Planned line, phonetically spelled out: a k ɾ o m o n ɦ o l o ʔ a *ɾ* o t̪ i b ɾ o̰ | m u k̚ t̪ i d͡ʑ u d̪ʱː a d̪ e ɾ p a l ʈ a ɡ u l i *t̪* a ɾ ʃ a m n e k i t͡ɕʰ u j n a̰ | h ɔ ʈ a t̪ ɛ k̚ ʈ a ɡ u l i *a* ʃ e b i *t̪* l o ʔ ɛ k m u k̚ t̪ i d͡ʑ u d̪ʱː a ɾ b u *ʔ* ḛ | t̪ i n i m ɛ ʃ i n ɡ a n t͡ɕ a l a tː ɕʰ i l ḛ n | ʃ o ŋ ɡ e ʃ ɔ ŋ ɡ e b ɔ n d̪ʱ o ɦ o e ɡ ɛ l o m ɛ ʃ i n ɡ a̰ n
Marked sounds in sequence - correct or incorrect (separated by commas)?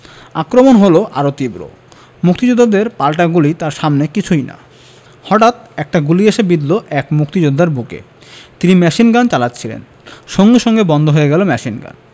correct, correct, incorrect, incorrect, incorrect